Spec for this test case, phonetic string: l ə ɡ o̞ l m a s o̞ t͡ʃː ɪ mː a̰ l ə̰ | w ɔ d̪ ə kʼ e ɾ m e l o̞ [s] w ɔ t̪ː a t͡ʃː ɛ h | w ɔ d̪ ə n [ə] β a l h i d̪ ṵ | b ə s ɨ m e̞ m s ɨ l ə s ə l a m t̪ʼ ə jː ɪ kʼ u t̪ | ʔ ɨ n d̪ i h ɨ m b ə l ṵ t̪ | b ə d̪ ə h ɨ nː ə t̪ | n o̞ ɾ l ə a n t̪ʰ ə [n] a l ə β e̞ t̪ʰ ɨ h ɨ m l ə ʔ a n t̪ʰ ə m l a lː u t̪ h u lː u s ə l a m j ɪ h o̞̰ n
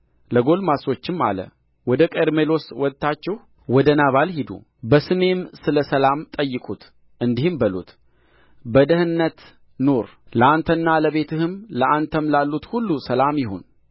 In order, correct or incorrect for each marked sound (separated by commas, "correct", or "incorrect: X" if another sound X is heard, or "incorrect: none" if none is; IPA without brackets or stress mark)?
correct, incorrect: a, incorrect: nː